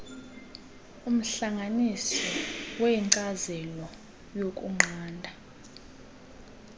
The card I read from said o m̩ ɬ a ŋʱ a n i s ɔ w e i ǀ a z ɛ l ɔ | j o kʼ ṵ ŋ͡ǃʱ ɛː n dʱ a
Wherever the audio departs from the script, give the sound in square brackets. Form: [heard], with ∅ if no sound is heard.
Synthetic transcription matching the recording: [u] m̩ ɬ a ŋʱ a n i s ɔ w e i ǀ a z ɛ l ɔ | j o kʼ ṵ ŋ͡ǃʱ [aː] n dʱ a